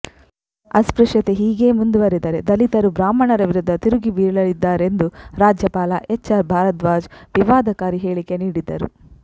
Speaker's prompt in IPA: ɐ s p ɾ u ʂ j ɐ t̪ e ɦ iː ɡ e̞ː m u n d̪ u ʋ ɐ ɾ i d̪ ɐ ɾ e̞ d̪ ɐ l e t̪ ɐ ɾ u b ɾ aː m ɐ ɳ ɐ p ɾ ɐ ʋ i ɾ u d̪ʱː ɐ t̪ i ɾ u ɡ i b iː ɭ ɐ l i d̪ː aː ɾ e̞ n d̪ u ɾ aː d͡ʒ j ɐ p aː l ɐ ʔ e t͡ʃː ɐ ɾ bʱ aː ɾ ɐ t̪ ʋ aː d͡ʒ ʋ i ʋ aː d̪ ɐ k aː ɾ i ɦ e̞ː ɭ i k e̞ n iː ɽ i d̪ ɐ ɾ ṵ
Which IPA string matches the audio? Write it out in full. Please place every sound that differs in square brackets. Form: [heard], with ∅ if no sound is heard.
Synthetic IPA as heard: ɐ s p ɾ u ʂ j ɐ t̪ e ɦ iː ɡ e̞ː m u n d̪ u ʋ ɐ ɾ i d̪ ɐ ɾ e̞ d̪ ɐ l [i] t̪ ɐ ɾ u b ɾ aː m ɐ ɳ ɐ [∅] ɾ ɐ ʋ i ɾ u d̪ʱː ɐ t̪ i ɾ u ɡ i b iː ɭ ɐ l i d̪ː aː ɾ e̞ n d̪ u ɾ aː d͡ʒ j ɐ p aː l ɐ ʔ e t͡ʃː ɐ ɾ bʱ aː ɾ ɐ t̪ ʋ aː d͡ʒ ʋ i ʋ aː d̪ ɐ k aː ɾ i ɦ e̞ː ɭ i k e̞ n iː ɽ i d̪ ɐ ɾ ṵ